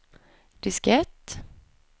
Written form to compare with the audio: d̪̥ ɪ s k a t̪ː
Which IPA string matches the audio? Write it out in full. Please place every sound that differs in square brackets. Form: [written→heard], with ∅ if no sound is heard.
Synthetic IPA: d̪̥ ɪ s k [a→ɛ] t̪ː